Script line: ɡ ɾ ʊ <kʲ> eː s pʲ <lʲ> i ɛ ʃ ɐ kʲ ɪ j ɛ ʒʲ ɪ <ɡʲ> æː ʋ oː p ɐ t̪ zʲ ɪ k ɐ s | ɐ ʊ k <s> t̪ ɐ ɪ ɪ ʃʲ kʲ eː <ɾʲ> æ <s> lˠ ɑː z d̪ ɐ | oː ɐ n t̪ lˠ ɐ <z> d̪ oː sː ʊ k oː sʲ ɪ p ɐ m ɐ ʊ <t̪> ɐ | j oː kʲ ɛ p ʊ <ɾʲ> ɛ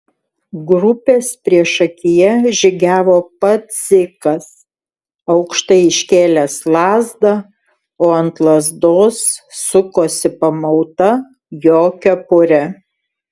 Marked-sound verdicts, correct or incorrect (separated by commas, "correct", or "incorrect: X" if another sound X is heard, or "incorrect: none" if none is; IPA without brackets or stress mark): incorrect: pʲ, incorrect: ɾʲ, correct, incorrect: ʃ, incorrect: lʲ, correct, correct, correct, correct